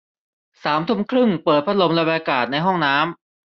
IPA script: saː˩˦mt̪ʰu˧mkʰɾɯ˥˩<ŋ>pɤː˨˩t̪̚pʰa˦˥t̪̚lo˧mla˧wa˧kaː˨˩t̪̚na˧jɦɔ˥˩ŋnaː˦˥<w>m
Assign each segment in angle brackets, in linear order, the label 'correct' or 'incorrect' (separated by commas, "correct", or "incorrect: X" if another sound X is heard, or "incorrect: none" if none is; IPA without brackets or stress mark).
correct, incorrect: none